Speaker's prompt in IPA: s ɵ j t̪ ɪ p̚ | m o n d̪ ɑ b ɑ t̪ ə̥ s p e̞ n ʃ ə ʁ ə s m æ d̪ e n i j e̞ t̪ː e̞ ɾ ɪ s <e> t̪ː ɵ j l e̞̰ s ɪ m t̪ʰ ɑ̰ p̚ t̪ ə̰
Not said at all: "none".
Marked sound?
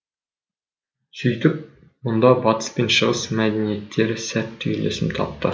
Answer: æ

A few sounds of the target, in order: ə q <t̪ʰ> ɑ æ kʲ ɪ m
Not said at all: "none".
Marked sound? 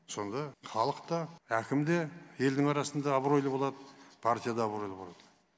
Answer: t̪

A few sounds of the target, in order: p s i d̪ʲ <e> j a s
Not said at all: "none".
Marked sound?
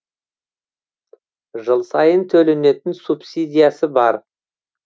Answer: i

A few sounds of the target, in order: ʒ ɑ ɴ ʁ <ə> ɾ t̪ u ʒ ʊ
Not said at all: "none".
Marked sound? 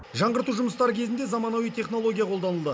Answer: ə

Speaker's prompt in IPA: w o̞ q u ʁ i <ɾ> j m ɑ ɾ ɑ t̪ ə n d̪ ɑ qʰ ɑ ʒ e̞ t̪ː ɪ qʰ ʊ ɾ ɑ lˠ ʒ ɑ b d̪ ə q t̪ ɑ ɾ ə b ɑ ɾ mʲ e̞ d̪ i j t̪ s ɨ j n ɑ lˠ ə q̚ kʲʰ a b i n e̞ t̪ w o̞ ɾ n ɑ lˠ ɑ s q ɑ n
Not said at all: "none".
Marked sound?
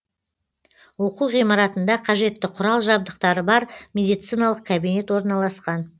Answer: none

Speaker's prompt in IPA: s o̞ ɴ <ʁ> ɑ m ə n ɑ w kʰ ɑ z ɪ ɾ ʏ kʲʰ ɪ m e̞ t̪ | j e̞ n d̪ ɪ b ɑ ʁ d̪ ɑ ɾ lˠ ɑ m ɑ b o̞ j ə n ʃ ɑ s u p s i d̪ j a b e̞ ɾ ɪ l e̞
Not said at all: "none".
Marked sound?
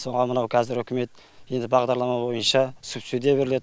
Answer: ʁ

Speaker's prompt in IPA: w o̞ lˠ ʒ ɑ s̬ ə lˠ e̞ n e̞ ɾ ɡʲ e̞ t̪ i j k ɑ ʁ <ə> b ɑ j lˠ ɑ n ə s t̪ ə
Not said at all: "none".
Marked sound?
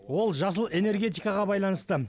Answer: ɑ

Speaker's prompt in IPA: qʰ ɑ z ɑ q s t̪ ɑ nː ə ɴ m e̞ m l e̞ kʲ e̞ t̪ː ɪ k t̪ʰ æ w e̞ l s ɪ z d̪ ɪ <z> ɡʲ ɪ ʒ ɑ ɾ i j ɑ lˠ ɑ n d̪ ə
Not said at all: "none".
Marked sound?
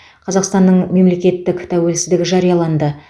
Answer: none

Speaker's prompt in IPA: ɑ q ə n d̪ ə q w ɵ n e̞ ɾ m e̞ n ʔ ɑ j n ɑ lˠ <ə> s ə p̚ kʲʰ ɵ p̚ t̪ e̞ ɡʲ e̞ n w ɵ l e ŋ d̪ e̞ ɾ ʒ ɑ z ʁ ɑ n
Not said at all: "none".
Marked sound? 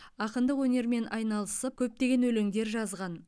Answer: ə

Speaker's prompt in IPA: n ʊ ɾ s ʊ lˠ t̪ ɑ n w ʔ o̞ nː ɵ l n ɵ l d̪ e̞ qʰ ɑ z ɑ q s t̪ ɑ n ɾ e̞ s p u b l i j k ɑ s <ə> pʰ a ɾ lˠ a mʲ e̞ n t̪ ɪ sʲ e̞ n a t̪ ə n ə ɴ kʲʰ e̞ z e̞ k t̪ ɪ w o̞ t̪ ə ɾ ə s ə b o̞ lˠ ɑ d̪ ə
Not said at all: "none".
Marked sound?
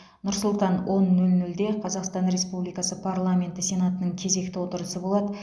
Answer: ə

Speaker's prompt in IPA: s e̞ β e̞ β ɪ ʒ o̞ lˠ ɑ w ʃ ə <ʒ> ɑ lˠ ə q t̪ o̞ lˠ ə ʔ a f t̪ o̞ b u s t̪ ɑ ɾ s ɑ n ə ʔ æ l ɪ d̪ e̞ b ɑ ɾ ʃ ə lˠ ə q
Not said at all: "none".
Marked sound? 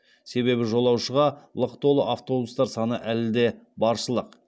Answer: ʁ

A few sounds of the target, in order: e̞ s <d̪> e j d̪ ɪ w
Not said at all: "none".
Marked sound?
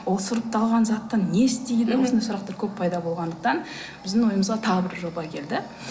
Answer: t̪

